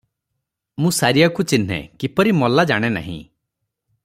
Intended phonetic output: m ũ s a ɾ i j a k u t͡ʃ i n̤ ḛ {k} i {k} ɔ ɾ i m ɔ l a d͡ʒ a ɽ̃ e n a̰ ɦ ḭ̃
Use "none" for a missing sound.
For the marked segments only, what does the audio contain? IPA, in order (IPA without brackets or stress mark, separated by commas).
k, p